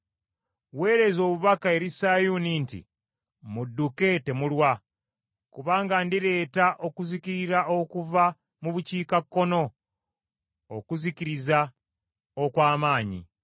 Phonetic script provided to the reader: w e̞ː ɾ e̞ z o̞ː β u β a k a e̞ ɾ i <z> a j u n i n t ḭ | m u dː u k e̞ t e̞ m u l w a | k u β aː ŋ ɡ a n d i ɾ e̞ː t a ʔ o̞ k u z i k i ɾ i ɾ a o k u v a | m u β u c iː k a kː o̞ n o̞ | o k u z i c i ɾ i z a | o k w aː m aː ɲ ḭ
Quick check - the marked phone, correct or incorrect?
incorrect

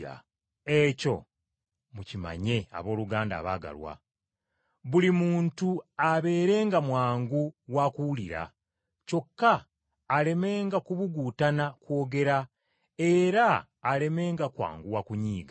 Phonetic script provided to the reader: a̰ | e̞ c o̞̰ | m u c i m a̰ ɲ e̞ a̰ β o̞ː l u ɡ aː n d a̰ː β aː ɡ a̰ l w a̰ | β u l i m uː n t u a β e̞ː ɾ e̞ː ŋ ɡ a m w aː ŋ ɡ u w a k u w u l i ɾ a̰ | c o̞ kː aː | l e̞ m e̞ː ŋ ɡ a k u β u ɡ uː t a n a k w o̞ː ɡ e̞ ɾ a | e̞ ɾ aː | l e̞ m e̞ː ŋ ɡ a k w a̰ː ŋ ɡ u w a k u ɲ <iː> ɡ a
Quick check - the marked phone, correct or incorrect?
correct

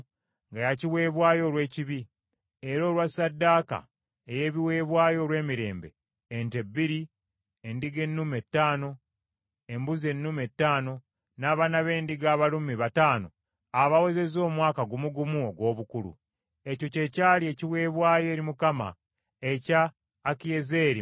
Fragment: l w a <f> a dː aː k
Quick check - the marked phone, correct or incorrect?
incorrect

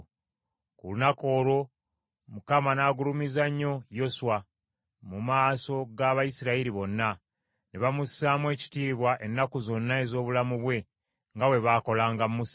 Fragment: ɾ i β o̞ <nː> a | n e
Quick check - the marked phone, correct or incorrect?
correct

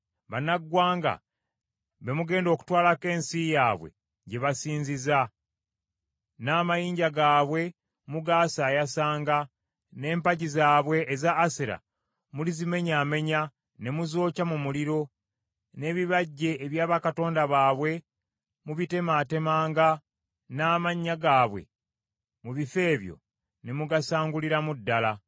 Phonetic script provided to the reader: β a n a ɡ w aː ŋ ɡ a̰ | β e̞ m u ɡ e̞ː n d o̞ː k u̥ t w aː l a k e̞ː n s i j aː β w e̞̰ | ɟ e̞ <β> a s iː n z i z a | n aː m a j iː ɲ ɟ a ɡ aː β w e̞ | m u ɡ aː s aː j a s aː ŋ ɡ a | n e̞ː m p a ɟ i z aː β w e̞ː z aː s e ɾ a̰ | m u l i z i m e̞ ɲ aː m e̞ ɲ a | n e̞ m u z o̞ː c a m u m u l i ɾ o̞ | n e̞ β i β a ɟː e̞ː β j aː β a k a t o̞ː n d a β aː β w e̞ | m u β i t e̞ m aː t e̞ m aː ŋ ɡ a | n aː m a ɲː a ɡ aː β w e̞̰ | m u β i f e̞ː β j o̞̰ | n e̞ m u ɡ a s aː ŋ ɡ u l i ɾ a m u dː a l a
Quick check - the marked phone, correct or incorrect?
correct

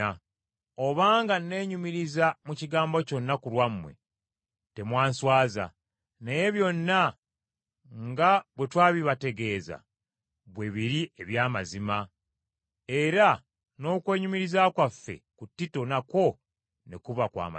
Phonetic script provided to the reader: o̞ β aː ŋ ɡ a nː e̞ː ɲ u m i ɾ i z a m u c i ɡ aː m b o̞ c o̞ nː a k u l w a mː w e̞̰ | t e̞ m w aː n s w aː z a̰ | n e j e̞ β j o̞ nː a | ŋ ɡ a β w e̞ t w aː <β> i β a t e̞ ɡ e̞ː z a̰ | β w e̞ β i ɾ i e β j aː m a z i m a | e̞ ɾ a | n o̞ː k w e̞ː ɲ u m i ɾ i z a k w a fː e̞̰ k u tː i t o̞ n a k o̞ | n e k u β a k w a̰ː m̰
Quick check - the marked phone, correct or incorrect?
correct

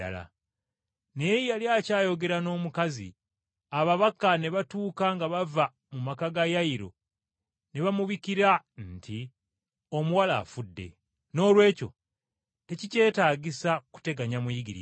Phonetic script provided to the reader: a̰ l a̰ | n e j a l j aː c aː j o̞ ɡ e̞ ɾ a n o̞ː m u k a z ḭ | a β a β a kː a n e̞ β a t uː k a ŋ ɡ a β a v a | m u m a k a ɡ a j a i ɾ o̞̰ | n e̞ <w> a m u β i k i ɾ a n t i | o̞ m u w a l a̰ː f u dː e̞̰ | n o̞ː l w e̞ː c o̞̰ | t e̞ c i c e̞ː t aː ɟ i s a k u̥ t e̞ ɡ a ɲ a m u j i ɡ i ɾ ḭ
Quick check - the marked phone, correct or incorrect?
incorrect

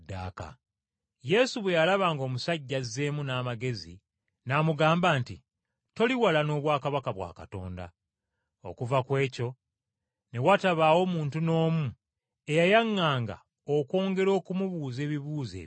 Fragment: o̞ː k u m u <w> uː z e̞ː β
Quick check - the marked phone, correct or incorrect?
incorrect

